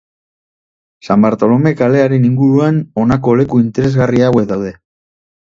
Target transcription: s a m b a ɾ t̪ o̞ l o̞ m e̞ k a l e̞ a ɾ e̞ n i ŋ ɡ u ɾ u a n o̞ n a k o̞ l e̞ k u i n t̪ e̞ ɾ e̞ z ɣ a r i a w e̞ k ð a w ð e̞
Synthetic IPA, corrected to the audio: s a m b a ɾ t̪ o̞ l o̞ m e̞ k a l e̞ a ɾ e̞ n i ŋ ɡ u ɾ u a n o̞ n a k o̞ l e̞ k u i n t̪ e̞ ɾ e̞ z ɣ a r i a w e̞ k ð a w ð e̞